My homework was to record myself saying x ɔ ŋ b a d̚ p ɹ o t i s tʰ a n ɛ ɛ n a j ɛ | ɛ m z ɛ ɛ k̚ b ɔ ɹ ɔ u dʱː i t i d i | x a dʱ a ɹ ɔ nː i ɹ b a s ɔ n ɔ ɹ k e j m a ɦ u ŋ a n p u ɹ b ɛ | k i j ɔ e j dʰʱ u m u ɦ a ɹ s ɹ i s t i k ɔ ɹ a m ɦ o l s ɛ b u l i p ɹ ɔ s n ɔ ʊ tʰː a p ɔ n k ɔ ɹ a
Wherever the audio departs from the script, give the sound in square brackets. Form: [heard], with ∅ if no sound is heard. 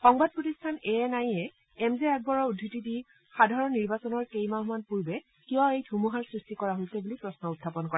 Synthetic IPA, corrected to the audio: x ɔ ŋ b a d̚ p ɹ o t i s tʰ a n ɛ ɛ n a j ɛ | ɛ m z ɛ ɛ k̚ b ɔ ɹ ɔ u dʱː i t i d i | x a dʱ a ɹ ɔ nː i ɹ b a s ɔ n ɔ ɹ k e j m a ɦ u [m] a n p u ɹ b ɛ | k i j ɔ e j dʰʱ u m u ɦ a ɹ s ɹ i s t i k ɔ ɹ a [∅] ɦ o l s ɛ b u l i p ɹ ɔ s n ɔ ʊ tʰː a p ɔ n k ɔ ɹ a